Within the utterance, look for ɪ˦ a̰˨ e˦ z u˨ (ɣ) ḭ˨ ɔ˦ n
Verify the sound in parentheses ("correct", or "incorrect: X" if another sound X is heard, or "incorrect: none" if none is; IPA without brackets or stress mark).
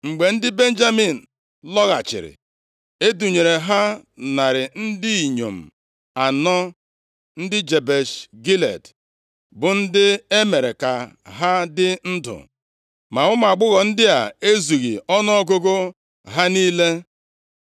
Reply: correct